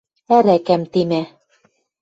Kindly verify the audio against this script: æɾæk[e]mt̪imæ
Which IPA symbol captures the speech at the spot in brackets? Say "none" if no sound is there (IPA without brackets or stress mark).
æ